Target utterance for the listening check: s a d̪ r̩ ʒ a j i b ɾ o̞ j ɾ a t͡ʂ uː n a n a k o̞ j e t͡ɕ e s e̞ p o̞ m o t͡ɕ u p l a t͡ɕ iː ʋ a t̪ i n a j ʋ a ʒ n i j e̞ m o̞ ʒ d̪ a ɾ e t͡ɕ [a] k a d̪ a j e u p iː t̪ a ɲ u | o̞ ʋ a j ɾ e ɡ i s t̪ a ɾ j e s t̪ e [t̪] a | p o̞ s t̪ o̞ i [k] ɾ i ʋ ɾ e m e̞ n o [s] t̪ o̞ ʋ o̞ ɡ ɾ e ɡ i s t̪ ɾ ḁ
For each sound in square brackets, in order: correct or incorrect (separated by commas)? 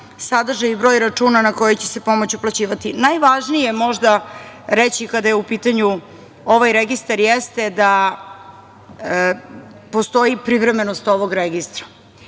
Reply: incorrect, incorrect, incorrect, correct